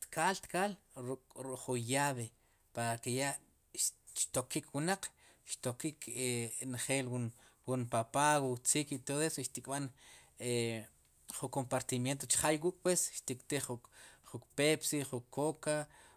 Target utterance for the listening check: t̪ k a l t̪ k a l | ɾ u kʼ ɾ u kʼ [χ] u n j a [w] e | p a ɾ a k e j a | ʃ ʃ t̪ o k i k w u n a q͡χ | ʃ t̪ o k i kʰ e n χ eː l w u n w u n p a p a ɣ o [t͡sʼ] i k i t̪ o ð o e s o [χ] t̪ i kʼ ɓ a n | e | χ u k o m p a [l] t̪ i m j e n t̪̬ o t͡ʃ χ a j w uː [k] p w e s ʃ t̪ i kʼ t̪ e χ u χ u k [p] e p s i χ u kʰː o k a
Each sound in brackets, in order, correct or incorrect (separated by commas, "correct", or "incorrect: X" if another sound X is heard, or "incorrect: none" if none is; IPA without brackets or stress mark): correct, incorrect: β, incorrect: t͡s, incorrect: ʃ, incorrect: ɾ, incorrect: kʼ, correct